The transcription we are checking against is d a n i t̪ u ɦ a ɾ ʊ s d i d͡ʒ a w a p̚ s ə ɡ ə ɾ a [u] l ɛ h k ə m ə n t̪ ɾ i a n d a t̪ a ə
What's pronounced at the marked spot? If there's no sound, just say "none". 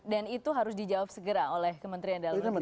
o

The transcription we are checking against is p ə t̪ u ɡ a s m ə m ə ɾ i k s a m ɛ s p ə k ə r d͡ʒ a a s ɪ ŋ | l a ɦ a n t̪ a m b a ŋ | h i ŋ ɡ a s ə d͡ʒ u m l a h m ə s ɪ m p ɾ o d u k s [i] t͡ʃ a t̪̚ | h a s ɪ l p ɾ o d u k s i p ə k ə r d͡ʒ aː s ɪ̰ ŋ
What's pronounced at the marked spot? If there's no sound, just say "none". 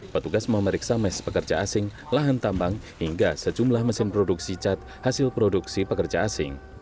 i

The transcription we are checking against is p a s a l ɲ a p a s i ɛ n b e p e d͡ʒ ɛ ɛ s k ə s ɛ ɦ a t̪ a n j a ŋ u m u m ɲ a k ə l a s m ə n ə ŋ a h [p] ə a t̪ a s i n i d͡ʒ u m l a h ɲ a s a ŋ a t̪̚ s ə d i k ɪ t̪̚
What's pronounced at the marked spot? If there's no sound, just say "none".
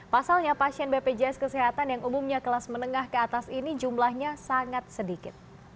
k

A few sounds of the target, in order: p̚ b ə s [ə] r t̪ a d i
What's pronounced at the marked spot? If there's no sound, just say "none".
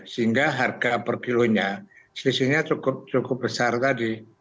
a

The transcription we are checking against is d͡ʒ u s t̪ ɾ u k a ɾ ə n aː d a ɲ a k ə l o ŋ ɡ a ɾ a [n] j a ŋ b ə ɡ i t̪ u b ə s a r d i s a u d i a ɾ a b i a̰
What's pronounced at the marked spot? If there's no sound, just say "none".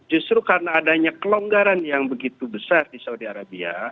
n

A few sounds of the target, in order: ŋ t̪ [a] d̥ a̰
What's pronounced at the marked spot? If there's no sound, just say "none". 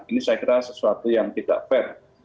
i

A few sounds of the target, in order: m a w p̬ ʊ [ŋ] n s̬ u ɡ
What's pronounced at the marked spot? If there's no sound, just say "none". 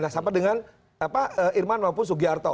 none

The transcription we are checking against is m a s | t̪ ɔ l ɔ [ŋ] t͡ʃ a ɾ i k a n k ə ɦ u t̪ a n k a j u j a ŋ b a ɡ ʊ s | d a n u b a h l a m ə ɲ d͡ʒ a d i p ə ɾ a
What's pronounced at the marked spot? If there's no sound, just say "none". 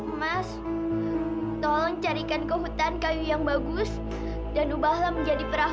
ŋ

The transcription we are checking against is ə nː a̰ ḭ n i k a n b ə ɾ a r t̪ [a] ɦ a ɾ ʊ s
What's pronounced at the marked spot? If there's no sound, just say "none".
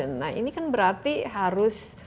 i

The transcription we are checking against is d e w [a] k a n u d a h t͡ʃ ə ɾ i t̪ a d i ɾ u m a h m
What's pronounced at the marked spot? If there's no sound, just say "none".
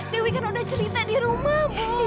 i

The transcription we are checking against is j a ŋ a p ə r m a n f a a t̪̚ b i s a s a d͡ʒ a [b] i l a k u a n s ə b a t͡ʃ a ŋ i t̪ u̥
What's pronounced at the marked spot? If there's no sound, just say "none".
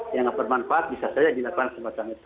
d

